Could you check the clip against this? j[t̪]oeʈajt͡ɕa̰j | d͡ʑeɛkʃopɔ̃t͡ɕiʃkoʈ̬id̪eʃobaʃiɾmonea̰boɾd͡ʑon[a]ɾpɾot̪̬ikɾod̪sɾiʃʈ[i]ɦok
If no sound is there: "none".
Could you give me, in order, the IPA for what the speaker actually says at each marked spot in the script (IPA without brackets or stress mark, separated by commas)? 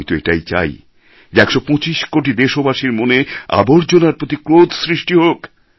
t̪, a, i